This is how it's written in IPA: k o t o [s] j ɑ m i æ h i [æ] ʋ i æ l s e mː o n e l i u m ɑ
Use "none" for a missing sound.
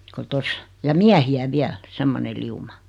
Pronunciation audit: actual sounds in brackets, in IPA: s, æ

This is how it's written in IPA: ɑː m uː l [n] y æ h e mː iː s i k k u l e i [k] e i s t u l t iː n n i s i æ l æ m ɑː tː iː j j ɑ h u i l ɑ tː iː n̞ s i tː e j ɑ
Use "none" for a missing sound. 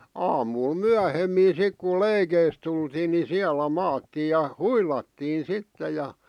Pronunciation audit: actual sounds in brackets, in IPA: m, k

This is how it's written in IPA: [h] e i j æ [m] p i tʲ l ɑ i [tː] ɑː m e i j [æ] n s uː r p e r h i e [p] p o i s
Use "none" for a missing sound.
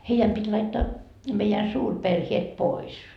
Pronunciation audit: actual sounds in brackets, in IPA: h, m, tː, æ, t

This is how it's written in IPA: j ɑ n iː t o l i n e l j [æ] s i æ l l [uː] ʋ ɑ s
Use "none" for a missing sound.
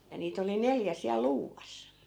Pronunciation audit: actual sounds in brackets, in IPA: æ, uː

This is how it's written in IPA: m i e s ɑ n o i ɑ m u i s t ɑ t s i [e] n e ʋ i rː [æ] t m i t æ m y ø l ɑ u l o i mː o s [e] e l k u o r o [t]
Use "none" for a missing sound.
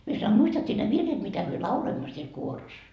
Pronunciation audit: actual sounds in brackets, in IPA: e, e, i, s

